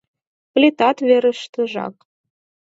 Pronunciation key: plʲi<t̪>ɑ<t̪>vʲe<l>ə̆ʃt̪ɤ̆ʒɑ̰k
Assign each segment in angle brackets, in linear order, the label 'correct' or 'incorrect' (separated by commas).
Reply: correct, correct, incorrect